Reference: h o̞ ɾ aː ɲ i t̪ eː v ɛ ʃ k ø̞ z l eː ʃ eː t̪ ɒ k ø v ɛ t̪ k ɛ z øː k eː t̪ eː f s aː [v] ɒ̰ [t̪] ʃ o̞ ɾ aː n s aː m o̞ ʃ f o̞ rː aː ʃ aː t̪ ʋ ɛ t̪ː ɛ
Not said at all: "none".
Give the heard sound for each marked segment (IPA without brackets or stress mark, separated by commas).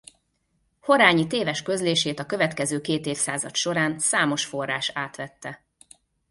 z, t̪